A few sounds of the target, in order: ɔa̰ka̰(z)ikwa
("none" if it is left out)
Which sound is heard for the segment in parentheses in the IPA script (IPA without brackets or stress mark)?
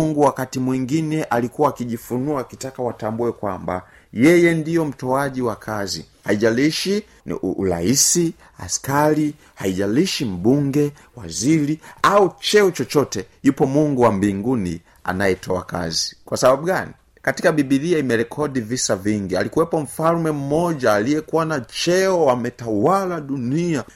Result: z